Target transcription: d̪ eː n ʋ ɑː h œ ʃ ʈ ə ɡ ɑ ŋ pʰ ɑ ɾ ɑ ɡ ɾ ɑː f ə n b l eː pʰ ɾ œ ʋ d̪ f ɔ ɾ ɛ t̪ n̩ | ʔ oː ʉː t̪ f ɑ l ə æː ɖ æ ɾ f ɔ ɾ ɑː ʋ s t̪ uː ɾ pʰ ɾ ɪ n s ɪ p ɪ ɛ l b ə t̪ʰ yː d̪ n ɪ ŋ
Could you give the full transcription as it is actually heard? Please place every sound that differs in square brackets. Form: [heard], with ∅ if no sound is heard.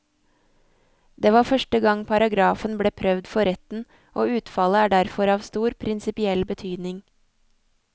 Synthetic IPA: d̪ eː [∅] ʋ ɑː [f] œ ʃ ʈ ə ɡ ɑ ŋ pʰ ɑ ɾ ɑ ɡ ɾ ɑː f ə n b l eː pʰ ɾ œ ʋ d̪ f ɔ ɾ ɛ t̪ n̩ | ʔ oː ʉː t̪ f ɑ l ə æː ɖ æ ɾ f ɔ ɾ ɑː ʋ s t̪ uː ɾ pʰ ɾ ɪ n s ɪ p ɪ ɛ l b ə t̪ʰ yː d̪ n ɪ ŋ